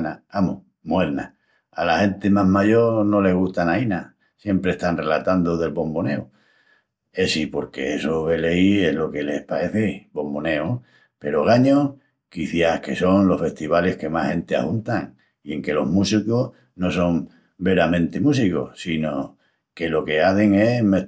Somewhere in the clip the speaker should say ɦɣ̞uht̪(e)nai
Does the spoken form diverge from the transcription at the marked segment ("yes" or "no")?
yes